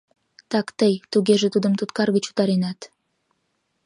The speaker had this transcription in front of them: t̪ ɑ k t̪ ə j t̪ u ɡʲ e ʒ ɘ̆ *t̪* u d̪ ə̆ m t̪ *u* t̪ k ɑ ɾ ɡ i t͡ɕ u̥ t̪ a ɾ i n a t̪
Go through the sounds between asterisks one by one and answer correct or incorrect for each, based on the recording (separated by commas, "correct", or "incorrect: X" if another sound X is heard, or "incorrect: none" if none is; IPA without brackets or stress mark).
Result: correct, correct